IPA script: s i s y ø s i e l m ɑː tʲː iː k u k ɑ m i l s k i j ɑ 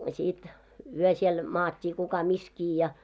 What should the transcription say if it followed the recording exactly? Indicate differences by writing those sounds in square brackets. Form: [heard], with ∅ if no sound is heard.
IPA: s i [t] y ø s i e l m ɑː tʲː iː k u k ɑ m i [∅] s k [iː] j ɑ